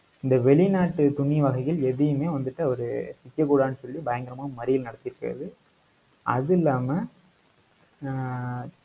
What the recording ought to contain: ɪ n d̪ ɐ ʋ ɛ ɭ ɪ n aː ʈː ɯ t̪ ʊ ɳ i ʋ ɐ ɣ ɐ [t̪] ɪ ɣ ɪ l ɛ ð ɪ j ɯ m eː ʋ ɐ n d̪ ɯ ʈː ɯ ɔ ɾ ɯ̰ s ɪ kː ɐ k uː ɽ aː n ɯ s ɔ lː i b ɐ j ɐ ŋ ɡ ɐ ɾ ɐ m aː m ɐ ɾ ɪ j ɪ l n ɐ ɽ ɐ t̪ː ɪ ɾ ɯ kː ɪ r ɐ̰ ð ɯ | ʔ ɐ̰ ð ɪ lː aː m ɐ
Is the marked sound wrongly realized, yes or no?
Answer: yes